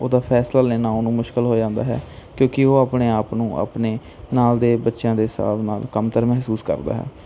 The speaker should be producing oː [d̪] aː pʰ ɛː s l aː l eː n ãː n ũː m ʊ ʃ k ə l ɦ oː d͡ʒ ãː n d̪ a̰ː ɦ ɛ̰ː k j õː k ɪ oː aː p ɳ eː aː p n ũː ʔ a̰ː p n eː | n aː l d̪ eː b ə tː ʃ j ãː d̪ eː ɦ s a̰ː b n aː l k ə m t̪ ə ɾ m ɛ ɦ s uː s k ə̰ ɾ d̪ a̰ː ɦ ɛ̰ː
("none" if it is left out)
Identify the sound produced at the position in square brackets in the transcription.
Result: d̪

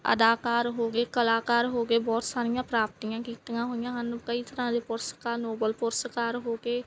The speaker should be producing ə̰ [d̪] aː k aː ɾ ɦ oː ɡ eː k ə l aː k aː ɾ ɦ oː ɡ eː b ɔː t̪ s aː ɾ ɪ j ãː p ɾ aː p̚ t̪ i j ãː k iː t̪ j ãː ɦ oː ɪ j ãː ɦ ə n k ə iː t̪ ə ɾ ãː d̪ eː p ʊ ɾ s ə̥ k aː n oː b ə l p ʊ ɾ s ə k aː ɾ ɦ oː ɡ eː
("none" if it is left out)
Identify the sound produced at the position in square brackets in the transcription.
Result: d̪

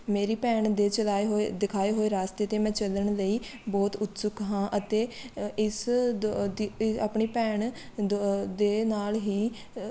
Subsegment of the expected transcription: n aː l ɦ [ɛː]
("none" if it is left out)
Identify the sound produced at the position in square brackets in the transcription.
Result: iː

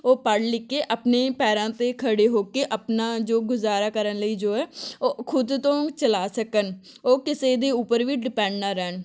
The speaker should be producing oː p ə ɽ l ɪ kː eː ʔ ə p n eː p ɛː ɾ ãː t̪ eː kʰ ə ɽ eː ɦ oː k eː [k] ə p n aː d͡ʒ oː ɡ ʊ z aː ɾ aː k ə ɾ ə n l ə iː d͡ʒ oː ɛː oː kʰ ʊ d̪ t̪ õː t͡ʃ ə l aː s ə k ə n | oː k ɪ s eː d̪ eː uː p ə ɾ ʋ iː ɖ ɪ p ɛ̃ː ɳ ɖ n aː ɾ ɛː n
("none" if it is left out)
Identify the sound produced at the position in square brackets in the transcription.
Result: ʔ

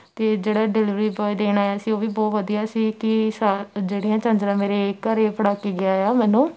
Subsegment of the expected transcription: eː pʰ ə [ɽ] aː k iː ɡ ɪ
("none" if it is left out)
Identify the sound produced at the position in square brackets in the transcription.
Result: ɽ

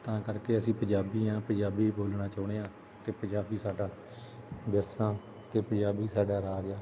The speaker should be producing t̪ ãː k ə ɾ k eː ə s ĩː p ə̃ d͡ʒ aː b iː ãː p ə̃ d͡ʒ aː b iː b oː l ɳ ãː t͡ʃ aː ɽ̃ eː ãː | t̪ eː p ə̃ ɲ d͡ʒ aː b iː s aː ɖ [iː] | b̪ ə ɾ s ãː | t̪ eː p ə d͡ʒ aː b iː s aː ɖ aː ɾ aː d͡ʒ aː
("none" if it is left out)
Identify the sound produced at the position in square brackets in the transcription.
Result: aː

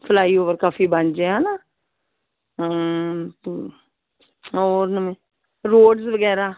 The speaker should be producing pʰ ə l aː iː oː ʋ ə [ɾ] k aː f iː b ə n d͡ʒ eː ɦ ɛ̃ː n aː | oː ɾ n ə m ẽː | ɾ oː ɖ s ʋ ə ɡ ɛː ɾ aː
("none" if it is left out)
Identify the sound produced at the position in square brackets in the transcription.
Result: ɾ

